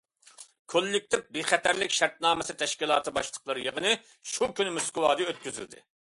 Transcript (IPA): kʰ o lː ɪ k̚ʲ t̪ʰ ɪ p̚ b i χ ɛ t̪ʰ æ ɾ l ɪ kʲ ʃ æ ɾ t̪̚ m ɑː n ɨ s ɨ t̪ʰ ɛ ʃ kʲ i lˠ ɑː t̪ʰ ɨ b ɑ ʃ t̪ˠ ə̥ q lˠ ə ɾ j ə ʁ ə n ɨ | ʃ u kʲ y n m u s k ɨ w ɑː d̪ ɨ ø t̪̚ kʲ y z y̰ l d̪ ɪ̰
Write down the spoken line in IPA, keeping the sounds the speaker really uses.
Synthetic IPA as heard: kʰ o lː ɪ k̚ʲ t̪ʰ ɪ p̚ b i χ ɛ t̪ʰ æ ɾ l ɪ kʲ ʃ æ ɾ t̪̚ n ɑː m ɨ s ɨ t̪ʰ ɛ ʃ kʲ i lˠ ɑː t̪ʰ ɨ b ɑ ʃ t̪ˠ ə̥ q lˠ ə ɾ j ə ʁ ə n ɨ | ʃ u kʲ y n m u s k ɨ w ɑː d̪ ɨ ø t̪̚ kʲ y z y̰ l d̪ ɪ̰